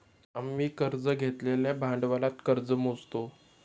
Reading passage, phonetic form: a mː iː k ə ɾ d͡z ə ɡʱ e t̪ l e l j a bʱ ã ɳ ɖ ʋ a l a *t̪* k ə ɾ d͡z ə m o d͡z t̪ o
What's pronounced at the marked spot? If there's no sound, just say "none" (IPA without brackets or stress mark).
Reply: t̪